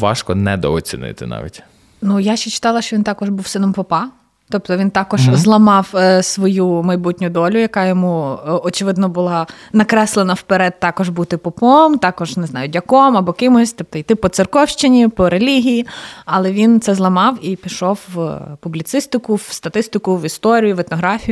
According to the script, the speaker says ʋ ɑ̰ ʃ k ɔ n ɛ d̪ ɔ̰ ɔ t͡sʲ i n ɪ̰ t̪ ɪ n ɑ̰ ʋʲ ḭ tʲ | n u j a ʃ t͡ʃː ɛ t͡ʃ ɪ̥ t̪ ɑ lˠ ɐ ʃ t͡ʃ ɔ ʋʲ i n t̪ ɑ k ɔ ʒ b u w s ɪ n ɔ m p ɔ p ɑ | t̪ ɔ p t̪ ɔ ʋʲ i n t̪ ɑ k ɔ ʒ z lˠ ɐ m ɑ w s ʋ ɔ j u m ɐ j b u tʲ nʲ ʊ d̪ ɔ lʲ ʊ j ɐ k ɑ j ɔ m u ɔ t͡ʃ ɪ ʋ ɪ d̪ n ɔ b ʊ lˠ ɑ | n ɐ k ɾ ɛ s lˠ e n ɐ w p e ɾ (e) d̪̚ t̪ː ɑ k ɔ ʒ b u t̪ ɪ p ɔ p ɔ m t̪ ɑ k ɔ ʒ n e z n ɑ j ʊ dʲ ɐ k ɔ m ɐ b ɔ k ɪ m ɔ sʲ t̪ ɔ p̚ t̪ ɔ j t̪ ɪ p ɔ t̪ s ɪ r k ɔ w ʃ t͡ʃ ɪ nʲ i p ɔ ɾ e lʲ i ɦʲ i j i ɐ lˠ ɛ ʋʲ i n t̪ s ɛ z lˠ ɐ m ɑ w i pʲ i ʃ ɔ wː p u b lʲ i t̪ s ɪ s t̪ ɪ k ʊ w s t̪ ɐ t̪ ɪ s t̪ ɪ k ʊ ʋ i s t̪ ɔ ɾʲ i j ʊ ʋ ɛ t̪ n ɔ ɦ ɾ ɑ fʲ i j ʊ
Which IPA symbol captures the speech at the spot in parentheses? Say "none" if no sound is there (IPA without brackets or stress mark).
ɛ